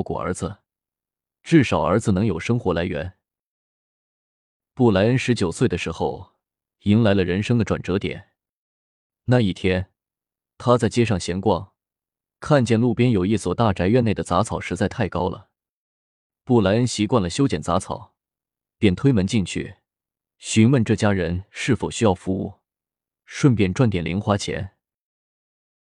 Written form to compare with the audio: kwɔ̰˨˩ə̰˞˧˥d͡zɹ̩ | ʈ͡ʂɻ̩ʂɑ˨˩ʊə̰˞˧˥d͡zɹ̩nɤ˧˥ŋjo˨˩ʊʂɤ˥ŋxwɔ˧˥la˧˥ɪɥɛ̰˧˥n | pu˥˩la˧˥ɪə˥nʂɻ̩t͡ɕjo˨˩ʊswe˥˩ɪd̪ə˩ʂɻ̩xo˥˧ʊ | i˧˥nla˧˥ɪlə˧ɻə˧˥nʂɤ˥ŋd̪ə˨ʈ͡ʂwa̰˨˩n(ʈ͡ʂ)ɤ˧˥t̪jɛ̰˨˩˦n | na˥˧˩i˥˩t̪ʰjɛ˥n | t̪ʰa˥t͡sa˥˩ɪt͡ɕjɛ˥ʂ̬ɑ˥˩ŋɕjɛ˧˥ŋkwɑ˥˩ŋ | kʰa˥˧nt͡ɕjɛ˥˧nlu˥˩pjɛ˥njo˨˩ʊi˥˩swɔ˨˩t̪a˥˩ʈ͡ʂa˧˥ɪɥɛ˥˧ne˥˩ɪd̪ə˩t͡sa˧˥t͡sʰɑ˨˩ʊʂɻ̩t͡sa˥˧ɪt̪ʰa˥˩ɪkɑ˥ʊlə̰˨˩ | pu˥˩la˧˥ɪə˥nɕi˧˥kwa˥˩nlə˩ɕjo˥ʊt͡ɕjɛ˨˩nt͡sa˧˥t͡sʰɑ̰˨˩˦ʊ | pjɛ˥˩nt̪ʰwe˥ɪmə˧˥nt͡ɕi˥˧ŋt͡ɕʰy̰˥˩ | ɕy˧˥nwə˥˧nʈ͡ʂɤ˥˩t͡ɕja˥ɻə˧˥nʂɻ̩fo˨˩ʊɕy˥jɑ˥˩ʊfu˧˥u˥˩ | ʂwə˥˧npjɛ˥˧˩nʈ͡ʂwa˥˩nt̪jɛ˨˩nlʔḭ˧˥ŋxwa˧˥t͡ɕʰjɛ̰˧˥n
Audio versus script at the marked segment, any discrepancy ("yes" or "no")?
no